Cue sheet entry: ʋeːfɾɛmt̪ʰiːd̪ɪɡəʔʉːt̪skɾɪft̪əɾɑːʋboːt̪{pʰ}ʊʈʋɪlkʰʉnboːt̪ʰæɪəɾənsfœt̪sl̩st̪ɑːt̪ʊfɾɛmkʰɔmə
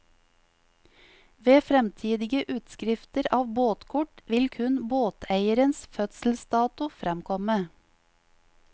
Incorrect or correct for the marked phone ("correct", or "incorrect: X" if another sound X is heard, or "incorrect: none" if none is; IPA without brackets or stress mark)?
incorrect: kʰ